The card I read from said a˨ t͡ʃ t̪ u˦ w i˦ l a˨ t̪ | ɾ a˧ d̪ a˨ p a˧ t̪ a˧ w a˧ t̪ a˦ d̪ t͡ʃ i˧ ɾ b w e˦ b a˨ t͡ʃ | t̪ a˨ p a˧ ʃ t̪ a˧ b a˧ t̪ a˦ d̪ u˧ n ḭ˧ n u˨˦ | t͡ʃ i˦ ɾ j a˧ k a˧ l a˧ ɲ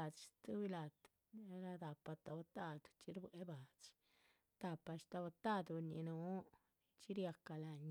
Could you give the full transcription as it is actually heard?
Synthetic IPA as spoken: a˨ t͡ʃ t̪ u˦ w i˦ l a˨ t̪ | ɾ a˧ d̪ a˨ p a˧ t̪ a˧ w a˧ t̪ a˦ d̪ t͡ʃ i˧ ɾ b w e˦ b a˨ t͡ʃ | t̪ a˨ p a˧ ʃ t̪ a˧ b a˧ t̪ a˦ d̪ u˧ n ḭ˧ n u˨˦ | t͡ʃ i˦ ɾ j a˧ k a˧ l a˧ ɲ